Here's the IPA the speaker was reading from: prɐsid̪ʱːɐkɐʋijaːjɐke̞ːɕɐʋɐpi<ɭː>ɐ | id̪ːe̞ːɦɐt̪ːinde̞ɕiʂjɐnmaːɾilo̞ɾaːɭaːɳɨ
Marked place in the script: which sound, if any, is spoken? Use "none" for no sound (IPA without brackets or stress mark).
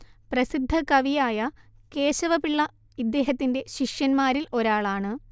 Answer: ɭː